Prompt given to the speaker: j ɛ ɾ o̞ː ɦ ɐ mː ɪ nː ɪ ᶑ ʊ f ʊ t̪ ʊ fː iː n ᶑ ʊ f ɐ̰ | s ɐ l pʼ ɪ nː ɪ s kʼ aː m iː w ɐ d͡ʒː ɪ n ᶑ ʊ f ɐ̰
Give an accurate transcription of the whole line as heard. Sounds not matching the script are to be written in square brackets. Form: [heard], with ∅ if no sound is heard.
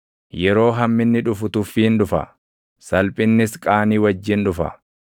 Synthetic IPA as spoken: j ɛ ɾ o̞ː ɦ ɐ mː ɪ nː ɪ ᶑ ʊ f ʊ t̪ ʊ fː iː n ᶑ ʊ f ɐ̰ | s ɐ l pʼ ɪ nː ɪ s kʼ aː [n] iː w ɐ d͡ʒː ɪ n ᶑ ʊ f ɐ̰